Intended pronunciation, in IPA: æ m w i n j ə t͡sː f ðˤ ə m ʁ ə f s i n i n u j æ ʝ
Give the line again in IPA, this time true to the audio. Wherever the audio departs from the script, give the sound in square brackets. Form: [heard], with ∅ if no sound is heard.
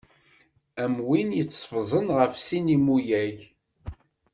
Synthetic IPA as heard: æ m w i n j ə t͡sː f [zˤ] ə [n] ʁ ə f s i n i [m] u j æ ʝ